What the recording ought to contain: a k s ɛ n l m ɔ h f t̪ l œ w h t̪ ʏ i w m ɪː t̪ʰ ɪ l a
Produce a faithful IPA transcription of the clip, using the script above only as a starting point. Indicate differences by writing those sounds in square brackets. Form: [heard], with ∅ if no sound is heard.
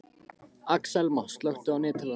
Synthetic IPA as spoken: a k s ɛ [∅] l m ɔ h [s] t̪ l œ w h t̪ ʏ [a] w [n] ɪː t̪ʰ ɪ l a